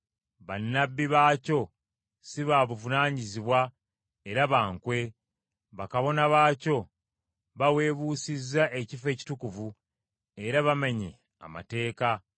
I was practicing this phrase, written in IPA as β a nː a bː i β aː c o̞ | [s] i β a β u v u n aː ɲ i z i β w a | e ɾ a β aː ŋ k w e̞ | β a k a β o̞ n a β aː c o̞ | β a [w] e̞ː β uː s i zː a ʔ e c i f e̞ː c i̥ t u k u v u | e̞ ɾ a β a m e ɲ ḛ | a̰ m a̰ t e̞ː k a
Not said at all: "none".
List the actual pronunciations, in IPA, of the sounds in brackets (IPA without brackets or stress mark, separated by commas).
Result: s, w